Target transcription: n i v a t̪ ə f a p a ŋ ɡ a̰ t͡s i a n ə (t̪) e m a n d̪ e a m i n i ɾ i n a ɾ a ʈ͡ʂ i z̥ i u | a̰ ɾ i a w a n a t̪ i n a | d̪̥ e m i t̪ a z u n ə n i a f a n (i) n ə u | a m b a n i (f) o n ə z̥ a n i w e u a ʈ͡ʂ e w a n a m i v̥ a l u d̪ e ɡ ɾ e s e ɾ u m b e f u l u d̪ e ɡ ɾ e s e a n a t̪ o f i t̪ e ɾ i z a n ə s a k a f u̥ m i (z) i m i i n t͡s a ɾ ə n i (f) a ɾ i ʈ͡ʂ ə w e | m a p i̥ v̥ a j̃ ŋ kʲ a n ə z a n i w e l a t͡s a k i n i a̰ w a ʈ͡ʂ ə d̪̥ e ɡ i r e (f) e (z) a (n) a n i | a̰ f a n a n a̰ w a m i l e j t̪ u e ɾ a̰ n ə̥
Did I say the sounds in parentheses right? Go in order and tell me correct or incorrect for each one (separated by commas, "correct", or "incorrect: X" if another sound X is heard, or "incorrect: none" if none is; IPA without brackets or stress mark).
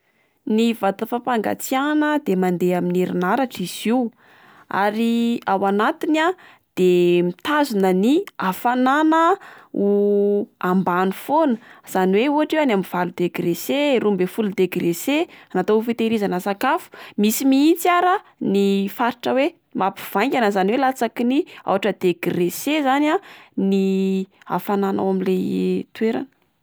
incorrect: d̪, incorrect: a, correct, incorrect: s, correct, incorrect: s, correct, correct